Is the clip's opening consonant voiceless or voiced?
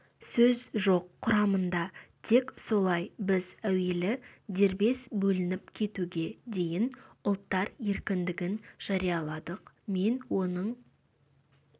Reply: voiceless